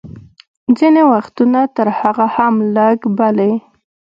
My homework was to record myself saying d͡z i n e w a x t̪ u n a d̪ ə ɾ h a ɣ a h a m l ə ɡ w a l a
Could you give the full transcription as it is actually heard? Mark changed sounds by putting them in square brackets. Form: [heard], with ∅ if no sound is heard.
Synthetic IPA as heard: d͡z i n e w a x t̪ u n a [t̪] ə ɾ h a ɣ a h a m l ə ɡ [b] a l [e]